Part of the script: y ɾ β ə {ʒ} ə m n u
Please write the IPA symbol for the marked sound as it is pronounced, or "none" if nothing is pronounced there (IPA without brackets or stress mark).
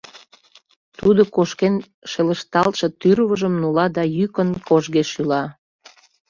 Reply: ʒ